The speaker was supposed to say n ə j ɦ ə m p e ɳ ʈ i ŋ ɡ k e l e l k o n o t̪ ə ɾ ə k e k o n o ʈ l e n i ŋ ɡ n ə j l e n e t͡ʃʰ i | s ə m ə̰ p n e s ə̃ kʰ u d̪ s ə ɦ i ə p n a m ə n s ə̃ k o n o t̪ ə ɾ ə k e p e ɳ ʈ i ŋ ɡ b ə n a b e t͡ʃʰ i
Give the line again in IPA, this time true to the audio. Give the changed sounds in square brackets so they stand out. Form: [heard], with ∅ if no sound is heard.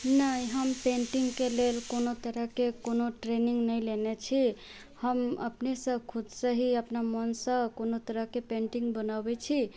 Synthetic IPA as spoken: n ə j ɦ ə m p e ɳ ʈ i ŋ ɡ k e l e l k o n o t̪ ə ɾ ə k e k o n o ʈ [ɾ] e n i ŋ ɡ n ə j l e n e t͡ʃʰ i | [h] ə m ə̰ p n e s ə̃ kʰ u d̪ s ə ɦ i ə p n a m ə n s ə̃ k o n o t̪ ə ɾ ə k e p e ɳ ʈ i ŋ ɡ b ə n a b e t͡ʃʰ i